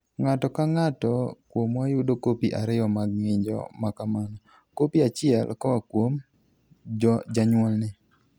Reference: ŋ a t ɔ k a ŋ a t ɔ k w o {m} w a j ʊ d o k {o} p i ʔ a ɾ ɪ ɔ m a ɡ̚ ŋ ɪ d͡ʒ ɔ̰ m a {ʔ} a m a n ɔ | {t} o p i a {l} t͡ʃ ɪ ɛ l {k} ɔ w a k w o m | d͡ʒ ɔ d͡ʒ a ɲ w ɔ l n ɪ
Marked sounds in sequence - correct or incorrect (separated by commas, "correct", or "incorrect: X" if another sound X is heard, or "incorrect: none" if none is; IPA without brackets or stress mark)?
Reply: correct, correct, incorrect: k, incorrect: k, incorrect: none, correct